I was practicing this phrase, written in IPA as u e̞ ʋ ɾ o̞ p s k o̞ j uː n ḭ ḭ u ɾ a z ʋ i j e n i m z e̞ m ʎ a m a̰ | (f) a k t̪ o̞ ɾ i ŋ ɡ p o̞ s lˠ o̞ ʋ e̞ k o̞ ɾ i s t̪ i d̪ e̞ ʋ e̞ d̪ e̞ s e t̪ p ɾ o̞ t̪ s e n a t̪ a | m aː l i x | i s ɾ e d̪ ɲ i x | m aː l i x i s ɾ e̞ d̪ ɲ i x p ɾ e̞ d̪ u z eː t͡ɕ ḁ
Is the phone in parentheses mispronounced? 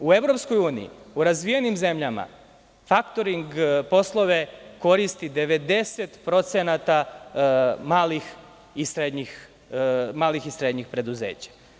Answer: no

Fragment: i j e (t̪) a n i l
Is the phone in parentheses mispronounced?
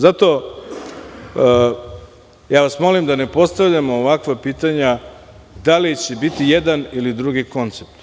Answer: yes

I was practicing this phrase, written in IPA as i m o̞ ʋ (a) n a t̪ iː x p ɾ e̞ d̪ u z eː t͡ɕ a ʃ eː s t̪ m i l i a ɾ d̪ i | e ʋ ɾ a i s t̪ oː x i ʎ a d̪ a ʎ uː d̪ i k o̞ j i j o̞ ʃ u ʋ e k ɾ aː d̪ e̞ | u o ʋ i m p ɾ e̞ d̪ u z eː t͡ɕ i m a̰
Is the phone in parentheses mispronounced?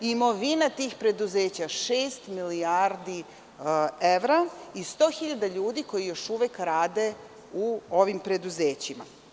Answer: yes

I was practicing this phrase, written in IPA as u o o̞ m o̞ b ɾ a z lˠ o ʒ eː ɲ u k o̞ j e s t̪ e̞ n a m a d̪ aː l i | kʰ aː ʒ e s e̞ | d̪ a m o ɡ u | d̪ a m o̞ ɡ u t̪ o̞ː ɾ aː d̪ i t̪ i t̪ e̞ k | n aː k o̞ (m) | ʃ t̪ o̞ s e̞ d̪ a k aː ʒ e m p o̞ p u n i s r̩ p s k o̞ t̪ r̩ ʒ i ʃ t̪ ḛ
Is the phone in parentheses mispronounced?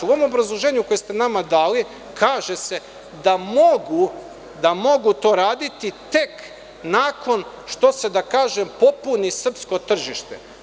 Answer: yes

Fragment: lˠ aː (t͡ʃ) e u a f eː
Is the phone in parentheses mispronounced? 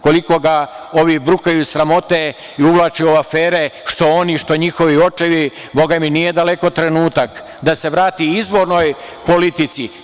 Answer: no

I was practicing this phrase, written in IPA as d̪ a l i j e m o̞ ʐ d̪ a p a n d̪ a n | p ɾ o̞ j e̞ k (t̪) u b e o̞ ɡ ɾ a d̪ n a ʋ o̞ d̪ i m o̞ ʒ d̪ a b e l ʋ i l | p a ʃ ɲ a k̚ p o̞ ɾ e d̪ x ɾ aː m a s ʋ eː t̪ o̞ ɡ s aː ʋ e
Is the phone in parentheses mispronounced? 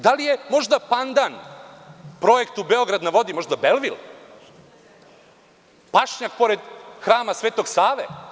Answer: no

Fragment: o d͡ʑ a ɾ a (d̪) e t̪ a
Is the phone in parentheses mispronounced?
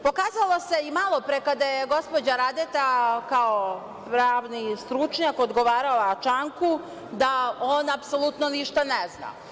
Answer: no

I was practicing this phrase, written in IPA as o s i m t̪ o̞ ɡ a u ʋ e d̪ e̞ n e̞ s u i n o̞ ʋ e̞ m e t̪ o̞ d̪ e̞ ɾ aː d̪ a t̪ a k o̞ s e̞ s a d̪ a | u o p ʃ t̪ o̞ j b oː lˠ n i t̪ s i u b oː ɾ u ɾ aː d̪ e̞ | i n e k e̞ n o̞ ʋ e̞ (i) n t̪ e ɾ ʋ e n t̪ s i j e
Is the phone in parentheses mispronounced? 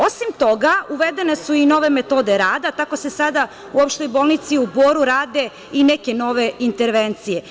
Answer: no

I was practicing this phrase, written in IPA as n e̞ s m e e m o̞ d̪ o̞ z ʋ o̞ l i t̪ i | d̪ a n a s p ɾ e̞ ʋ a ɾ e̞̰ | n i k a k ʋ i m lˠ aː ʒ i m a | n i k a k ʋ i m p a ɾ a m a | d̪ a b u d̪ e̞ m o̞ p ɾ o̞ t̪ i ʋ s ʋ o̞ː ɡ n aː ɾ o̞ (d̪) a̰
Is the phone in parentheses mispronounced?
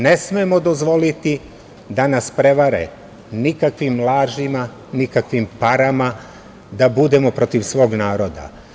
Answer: no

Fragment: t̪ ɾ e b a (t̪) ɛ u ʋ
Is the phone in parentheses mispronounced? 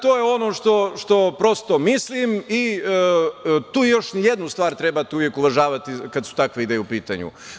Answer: no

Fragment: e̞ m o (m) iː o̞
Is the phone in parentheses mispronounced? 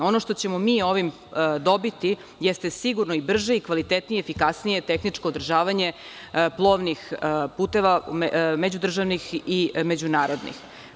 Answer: no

